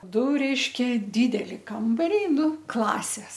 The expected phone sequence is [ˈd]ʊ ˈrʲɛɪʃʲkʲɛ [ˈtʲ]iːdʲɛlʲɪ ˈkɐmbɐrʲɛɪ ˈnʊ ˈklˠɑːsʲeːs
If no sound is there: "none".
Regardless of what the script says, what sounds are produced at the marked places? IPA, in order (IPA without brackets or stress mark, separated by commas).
d, dʲ